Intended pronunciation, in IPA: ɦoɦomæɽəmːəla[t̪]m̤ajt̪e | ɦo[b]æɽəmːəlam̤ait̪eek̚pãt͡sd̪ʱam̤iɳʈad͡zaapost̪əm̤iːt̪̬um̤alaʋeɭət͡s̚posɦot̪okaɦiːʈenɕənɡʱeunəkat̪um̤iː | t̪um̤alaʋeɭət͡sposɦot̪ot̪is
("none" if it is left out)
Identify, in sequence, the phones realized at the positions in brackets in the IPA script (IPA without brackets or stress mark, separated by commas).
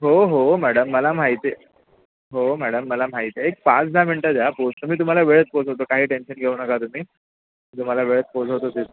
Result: none, m